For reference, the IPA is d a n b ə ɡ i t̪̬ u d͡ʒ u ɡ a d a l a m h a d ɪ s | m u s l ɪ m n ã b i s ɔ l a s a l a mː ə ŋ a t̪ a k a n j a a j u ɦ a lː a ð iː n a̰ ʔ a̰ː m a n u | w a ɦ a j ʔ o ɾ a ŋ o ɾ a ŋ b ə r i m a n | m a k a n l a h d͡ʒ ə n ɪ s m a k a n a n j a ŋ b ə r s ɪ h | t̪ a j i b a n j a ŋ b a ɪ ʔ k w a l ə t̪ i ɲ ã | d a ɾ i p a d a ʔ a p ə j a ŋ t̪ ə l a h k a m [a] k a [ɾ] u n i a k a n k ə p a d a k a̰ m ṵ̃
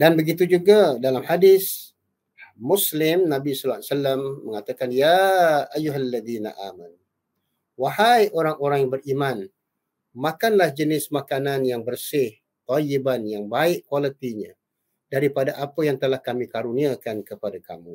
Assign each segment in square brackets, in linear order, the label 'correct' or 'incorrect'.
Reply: incorrect: i, correct

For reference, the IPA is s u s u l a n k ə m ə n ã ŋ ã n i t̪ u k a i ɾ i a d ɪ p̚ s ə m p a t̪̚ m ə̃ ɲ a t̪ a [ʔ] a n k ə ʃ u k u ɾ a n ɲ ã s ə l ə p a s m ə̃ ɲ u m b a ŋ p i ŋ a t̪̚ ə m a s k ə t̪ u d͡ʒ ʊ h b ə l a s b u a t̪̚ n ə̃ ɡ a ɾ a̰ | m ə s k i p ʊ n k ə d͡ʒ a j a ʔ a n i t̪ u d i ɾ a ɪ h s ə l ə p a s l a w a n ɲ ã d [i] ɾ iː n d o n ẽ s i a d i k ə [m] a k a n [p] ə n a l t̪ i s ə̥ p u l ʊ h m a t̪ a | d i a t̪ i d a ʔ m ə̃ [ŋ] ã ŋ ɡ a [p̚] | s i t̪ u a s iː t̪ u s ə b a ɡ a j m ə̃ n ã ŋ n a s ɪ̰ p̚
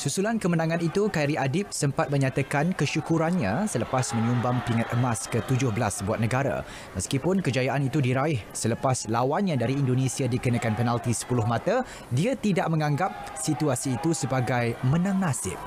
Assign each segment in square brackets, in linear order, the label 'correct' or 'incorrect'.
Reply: incorrect: k, incorrect: a, incorrect: n, correct, correct, correct

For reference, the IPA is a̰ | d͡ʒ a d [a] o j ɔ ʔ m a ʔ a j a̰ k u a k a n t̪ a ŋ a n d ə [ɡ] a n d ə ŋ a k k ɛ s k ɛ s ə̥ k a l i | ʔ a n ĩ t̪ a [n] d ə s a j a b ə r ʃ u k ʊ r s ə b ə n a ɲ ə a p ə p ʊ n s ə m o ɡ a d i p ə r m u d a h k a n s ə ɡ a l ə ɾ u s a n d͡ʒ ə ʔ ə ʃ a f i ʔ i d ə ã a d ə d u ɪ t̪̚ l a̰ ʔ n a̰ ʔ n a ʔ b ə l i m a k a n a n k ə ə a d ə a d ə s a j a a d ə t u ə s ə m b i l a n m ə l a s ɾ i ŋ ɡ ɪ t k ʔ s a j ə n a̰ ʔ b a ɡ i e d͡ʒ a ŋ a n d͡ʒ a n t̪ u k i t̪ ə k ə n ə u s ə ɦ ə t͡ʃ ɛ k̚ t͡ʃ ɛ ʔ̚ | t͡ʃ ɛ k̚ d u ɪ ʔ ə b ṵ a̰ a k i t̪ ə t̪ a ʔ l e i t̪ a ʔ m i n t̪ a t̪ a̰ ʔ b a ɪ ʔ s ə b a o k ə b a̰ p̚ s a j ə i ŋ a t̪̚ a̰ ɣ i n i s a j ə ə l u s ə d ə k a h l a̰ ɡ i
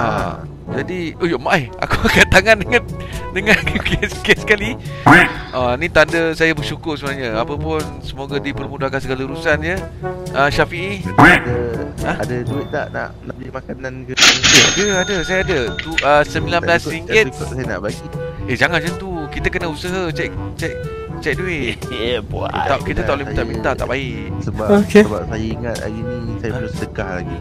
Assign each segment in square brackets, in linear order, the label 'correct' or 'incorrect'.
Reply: incorrect: i, incorrect: ŋ, correct

